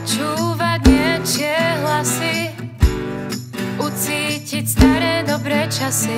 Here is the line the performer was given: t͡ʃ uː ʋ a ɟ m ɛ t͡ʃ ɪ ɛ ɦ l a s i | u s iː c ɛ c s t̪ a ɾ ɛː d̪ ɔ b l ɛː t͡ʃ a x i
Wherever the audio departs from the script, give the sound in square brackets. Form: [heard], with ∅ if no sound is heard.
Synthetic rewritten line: t͡ʃ uː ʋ a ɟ [ɲ] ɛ t͡ʃ ɪ ɛ ɦ l a s i | u [t͡s] iː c [i] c s t̪ a ɾ ɛː d̪ ɔ b [ɾ] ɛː t͡ʃ a [s] i